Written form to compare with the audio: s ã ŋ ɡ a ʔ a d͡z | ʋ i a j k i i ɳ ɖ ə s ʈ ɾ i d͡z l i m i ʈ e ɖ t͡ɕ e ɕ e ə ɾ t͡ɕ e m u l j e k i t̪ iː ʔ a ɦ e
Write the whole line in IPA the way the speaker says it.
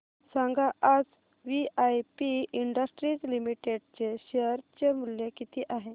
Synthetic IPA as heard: s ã ŋ ɡ a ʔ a d͡z | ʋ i a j p i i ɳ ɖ ə s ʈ ɾ i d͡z l i m i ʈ e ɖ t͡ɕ e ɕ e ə ɾ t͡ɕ e m u l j e k i t̪ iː ʔ a ɦ e